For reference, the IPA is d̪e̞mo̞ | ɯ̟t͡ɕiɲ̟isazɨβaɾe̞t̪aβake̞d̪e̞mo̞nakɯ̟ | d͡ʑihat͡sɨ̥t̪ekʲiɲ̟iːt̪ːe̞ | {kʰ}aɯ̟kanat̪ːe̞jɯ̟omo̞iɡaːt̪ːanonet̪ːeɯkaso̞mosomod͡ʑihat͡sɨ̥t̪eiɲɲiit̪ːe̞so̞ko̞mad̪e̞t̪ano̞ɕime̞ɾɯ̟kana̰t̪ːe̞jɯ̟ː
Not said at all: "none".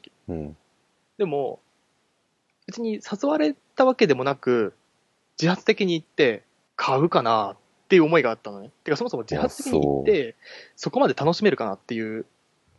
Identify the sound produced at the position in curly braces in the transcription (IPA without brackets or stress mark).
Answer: kʰ